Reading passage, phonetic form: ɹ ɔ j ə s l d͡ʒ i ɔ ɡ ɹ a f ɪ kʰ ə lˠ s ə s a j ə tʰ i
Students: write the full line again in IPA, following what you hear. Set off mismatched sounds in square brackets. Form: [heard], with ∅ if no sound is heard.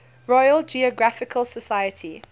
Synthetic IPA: ɹ ɔ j ə [∅] l d͡ʒ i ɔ ɡ ɹ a f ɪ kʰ ə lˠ s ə s a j ə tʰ i